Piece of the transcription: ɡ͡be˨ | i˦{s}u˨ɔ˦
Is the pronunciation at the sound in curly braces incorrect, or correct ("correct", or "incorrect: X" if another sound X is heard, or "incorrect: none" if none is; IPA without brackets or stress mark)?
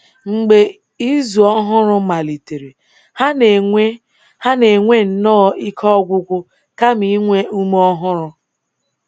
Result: incorrect: z